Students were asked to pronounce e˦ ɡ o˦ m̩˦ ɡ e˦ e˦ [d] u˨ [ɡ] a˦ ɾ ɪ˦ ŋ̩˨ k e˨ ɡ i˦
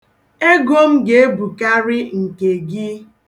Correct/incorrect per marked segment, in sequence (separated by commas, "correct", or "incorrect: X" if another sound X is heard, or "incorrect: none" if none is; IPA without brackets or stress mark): incorrect: b, incorrect: k